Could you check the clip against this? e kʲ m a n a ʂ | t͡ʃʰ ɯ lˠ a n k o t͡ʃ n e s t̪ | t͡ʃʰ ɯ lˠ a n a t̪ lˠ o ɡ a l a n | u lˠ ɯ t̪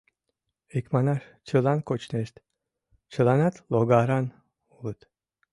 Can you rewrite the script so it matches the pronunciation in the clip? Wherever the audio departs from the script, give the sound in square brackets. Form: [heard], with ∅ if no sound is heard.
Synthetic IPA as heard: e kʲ m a n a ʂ | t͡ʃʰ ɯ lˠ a n k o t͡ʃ n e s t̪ | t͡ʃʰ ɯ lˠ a n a t̪ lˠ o ɡ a [ɾ] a n | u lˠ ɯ t̪